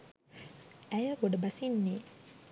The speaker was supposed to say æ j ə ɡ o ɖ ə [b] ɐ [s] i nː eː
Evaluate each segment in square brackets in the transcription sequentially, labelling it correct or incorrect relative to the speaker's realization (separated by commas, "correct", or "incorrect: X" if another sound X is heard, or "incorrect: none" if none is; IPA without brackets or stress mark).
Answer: correct, correct